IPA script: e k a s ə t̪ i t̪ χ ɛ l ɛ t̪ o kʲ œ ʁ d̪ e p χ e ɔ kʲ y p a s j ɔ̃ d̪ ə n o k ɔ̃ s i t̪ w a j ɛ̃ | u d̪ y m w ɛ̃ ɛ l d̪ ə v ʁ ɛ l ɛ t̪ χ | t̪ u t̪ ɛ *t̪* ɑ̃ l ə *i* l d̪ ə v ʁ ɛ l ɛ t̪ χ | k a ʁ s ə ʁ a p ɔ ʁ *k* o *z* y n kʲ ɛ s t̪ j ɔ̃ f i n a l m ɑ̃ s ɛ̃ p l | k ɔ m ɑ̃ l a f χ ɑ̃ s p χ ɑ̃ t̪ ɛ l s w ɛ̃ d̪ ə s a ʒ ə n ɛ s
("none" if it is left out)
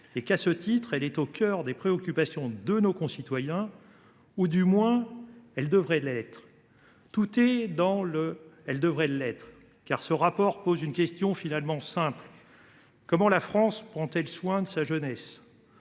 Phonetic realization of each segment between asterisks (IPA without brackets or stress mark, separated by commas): d̪, ɛ, p, z